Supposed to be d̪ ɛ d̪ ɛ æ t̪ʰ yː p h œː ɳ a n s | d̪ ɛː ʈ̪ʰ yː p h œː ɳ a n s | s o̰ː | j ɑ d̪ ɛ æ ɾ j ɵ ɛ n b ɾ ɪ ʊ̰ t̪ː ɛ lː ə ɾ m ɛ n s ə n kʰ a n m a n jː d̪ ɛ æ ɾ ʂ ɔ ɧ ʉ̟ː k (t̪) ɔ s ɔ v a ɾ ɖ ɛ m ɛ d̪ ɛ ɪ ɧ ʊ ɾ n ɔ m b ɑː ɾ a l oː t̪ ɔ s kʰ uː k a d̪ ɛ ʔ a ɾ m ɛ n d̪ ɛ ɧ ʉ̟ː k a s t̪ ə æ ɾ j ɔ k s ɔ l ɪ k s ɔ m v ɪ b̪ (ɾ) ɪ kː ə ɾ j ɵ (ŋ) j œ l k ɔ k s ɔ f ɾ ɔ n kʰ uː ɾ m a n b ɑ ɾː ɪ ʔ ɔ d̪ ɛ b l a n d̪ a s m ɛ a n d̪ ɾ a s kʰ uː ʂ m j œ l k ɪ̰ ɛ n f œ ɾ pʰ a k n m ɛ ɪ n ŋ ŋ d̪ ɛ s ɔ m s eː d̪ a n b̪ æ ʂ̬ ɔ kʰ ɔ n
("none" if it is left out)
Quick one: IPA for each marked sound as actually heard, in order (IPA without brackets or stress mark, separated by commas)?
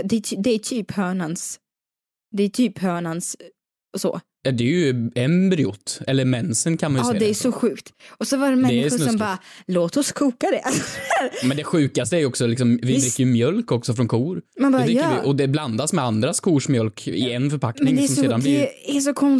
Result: t̪, ɾ, m